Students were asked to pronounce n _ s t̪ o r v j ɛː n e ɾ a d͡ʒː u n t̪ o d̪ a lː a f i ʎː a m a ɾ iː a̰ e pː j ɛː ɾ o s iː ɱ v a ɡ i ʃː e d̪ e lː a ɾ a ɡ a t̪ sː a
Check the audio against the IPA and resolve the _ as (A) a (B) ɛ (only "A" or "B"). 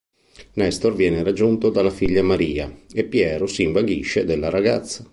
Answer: B